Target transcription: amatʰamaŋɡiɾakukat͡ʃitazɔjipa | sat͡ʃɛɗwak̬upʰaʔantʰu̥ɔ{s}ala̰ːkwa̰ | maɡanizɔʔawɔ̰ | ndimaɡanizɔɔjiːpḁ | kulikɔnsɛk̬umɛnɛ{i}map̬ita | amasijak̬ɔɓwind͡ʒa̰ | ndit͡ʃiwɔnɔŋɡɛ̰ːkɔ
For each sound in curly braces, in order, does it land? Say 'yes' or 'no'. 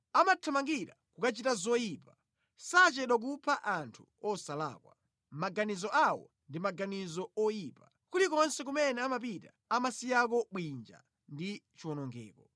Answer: yes, no

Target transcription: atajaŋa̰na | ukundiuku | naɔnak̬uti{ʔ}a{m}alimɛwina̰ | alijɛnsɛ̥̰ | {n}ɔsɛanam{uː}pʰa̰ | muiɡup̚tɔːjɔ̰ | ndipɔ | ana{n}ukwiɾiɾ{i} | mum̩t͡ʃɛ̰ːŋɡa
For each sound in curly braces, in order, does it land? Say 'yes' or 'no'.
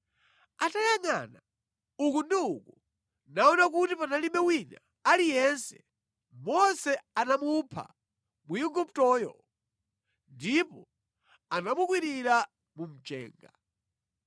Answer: no, no, no, no, no, no

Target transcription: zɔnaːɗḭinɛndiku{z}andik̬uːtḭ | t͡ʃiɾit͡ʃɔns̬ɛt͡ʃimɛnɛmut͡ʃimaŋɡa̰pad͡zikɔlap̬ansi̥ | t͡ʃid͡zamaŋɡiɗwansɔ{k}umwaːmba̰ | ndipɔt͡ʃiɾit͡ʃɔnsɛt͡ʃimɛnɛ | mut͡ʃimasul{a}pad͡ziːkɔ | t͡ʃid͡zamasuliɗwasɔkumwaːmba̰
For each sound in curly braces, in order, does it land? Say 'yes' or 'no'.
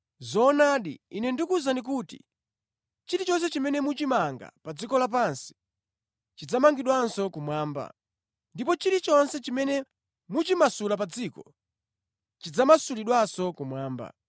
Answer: yes, yes, yes

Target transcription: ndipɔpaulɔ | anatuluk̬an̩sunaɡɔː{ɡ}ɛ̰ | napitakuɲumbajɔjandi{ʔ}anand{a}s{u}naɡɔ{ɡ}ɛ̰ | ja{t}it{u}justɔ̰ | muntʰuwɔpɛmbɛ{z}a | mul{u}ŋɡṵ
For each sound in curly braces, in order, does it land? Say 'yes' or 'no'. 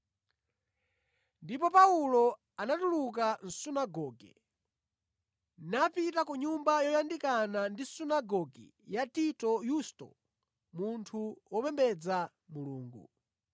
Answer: yes, no, no, yes, yes, yes, no, no, no

